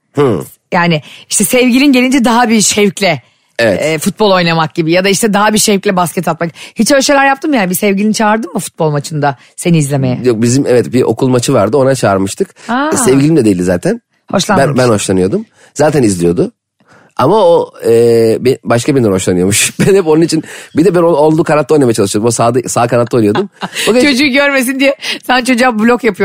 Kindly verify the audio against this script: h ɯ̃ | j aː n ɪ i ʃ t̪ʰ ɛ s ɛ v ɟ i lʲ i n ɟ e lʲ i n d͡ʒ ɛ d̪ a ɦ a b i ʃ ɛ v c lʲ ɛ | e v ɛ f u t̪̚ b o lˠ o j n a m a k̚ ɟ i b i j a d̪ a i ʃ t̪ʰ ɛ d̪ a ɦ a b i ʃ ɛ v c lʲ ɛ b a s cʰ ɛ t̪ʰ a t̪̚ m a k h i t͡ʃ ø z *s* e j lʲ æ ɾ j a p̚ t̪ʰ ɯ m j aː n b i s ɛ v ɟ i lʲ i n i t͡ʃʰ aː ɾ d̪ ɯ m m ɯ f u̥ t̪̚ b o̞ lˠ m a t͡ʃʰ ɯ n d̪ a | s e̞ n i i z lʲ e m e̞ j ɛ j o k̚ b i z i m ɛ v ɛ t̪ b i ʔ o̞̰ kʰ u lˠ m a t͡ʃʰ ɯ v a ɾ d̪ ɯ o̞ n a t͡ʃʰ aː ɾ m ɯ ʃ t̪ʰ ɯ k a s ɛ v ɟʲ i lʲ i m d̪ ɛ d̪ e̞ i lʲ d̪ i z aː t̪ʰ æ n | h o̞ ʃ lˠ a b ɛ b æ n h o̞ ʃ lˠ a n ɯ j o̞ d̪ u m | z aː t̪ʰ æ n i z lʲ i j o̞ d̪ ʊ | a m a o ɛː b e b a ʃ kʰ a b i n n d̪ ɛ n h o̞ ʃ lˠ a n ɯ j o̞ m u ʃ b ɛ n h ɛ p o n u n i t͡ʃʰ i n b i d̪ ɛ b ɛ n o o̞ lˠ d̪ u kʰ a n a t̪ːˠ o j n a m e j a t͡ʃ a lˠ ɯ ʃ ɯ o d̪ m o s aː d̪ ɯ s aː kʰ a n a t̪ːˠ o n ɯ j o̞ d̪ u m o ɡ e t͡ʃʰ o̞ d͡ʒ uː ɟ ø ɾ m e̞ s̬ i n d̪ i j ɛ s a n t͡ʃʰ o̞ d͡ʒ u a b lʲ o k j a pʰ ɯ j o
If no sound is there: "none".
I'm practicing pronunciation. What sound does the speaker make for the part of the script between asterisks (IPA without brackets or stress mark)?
ʃ